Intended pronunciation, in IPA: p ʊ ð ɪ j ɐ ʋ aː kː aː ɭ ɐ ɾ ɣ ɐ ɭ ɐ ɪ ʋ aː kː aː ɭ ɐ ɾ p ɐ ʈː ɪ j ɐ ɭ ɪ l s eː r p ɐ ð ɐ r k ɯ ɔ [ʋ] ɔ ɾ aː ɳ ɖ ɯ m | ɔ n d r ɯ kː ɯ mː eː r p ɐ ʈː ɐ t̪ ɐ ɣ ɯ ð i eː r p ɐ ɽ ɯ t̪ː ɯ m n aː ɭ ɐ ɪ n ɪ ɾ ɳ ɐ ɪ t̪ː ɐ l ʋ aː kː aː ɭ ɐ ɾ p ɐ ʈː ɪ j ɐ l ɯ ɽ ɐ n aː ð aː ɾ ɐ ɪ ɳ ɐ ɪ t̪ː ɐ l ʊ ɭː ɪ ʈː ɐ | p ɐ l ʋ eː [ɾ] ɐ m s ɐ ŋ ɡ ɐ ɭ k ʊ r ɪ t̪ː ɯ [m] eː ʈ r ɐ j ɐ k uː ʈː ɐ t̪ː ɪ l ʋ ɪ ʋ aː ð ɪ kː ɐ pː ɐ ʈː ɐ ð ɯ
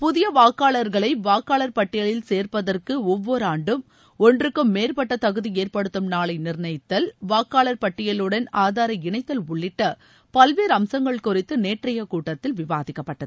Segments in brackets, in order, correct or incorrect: incorrect: ʋː, correct, incorrect: n

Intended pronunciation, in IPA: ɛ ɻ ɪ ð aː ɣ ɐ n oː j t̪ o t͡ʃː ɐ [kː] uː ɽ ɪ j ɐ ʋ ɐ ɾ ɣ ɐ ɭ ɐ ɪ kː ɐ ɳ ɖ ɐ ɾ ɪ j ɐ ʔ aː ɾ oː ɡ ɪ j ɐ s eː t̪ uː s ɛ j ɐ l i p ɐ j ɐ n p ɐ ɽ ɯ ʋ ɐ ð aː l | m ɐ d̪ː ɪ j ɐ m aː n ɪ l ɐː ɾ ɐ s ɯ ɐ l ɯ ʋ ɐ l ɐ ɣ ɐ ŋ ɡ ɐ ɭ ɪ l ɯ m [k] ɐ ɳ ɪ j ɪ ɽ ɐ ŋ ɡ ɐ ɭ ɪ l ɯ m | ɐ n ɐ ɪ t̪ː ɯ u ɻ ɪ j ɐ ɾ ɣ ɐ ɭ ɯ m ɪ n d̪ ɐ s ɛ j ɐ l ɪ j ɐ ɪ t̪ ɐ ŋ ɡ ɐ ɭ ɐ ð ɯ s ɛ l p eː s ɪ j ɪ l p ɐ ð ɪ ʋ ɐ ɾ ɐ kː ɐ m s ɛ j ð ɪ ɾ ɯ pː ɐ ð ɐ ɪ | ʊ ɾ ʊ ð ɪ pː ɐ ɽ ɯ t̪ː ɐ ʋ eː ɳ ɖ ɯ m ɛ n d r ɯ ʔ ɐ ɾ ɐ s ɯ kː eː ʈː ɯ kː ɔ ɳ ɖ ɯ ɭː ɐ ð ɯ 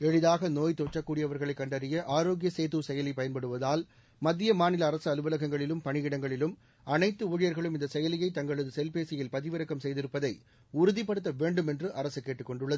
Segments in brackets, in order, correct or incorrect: correct, incorrect: p

